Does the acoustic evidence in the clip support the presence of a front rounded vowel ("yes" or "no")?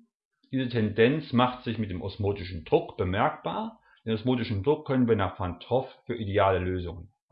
yes